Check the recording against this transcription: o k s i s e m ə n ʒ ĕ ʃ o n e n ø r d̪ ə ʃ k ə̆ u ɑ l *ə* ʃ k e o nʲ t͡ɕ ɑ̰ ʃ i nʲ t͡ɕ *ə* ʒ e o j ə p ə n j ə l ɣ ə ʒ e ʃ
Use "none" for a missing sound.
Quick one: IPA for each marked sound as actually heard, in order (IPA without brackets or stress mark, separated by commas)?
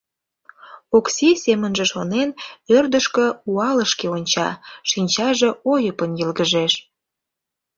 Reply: ə, ɑ